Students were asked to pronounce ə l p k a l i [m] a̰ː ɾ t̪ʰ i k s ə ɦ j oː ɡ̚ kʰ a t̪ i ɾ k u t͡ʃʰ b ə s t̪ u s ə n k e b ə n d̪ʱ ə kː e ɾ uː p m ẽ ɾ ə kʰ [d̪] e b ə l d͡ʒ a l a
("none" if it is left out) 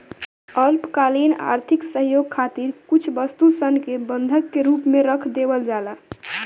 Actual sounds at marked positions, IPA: n, d̪

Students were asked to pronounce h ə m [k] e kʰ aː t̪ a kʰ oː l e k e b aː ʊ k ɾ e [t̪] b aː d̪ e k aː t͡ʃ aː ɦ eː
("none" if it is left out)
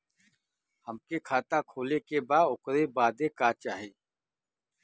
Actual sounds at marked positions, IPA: k, none

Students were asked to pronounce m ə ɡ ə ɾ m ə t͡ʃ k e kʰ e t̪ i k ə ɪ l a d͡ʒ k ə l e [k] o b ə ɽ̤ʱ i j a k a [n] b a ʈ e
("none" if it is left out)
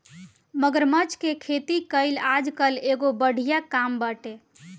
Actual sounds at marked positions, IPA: ɡ, m

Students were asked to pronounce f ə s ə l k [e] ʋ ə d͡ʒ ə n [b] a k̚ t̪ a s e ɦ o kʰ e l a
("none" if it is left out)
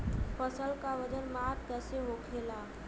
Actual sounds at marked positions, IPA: a, m

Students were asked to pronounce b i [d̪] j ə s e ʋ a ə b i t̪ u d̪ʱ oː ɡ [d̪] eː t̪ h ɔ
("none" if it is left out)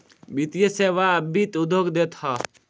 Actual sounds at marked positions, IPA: t̪, d̪

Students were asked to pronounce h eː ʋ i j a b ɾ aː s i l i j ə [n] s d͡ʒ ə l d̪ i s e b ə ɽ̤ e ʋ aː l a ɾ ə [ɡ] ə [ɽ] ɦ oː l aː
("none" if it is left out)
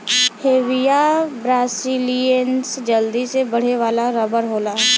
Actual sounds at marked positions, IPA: n, b, ɾ

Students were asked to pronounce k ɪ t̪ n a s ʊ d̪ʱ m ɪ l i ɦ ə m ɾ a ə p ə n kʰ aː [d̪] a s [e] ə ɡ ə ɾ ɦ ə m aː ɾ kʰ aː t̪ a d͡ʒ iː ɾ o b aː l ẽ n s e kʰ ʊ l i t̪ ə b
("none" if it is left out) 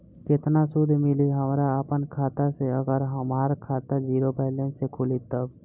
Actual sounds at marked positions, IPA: t̪, e

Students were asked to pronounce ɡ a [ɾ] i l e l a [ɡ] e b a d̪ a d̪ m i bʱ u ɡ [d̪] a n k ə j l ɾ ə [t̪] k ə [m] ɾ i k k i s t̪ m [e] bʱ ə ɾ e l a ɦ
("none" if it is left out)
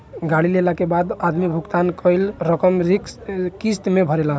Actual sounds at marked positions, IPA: ɽ, k, t̪, none, m, e

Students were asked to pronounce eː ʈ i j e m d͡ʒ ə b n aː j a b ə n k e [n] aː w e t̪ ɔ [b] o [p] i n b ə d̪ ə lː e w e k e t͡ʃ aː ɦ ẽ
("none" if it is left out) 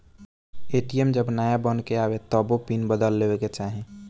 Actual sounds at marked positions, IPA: none, b, p

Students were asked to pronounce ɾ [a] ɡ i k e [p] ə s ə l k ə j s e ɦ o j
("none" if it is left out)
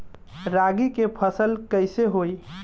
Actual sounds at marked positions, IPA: a, pʰ

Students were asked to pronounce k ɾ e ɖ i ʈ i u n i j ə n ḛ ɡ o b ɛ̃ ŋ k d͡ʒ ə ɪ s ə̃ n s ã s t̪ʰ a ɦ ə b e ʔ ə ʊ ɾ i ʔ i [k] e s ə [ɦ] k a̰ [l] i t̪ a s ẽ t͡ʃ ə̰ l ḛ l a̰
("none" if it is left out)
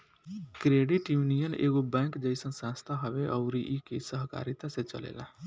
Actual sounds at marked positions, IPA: k, ɦ, ɾ

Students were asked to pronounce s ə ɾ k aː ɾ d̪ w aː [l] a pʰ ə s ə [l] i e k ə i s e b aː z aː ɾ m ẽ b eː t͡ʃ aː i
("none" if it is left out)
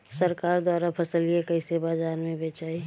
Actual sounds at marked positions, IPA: ɾ, l

